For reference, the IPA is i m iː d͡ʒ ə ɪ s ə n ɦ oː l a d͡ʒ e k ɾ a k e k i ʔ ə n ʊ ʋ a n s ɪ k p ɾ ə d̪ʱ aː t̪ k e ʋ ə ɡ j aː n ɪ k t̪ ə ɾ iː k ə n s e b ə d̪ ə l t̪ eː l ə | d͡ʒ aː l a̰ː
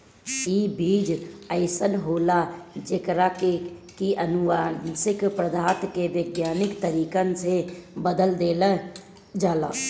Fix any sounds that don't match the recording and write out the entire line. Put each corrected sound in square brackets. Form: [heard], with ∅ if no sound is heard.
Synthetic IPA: i [b] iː d͡ʒ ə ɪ s ə n ɦ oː l a d͡ʒ e k ɾ a k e k i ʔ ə n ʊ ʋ a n s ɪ k p ɾ ə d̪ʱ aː t̪ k e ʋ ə ɡ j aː n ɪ k t̪ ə ɾ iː k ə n s e b ə d̪ ə l [d̪] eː l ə | d͡ʒ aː l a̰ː